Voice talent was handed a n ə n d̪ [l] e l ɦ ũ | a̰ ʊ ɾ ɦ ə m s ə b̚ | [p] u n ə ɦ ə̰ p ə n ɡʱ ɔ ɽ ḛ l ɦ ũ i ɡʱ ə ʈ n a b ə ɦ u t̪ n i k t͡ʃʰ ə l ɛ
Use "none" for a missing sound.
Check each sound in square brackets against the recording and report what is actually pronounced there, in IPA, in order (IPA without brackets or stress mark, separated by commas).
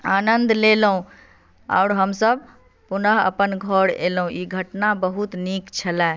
l, p